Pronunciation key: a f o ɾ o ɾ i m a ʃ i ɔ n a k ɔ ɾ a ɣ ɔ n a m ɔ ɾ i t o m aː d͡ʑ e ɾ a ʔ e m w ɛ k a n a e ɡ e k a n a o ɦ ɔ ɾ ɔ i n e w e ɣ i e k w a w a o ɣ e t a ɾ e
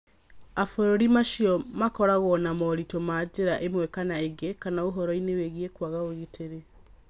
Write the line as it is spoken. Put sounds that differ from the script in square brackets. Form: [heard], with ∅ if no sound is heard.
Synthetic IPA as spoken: a f o ɾ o ɾ i m a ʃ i ɔ [m] a k ɔ ɾ a ɣ ɔ n a m ɔ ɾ i t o m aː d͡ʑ e ɾ a ʔ e m w ɛ k a n a e ɡ e k a n a o ɦ ɔ ɾ ɔ i n e w e ɣ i e k w a [ɣ] a o ɣ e t [e] ɾ e